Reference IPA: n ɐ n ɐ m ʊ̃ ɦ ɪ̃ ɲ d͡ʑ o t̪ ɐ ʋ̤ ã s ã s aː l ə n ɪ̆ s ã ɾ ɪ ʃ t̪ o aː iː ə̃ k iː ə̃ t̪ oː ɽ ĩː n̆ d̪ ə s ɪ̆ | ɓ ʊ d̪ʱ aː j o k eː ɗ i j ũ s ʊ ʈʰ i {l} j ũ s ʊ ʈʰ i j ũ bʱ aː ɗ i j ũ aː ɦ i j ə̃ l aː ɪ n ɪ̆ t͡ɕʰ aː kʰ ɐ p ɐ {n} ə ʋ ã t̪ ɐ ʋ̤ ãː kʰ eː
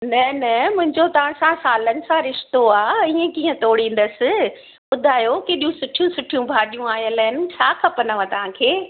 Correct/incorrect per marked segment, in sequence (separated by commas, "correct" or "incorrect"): incorrect, correct